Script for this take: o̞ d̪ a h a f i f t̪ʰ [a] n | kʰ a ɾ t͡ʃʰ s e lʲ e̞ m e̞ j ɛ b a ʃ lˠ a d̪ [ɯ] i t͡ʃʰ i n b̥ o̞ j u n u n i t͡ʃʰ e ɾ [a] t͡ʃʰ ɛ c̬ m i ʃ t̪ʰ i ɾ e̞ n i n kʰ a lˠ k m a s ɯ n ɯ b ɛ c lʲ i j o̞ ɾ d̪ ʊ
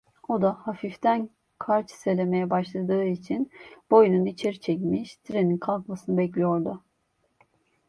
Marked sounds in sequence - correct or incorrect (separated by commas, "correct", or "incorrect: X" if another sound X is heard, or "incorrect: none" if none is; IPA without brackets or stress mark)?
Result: incorrect: æ, incorrect: ɯː, incorrect: i